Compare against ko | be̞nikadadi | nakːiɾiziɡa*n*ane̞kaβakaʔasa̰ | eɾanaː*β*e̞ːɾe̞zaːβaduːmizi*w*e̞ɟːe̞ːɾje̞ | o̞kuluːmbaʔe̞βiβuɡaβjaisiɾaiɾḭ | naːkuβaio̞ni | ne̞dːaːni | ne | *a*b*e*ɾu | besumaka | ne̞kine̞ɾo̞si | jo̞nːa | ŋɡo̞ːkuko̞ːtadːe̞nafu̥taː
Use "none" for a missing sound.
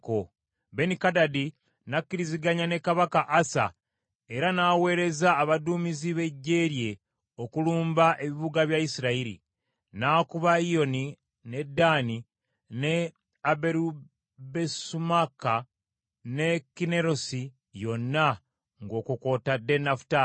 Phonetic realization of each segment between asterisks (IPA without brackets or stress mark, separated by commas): ɲ, w, β, a, e